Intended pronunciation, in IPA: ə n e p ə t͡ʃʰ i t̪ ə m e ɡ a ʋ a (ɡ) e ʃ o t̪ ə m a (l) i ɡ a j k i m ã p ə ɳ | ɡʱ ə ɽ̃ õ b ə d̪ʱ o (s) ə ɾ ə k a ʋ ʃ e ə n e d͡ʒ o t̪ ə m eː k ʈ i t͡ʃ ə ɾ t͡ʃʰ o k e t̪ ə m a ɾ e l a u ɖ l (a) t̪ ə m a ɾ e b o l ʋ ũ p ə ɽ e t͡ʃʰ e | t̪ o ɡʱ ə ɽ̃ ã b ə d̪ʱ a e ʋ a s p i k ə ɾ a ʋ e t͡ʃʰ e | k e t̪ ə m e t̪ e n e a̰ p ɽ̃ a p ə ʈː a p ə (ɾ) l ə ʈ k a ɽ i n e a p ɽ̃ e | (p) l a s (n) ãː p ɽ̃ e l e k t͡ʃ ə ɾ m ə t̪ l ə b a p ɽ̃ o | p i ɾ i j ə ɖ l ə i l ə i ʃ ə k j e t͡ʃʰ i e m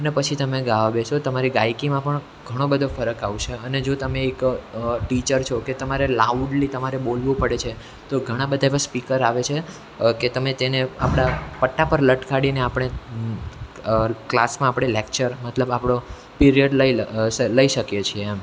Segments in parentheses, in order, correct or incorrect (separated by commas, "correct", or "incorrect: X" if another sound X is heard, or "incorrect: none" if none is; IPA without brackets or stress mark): incorrect: b, incorrect: ɾ, incorrect: f, incorrect: i, correct, incorrect: k, incorrect: m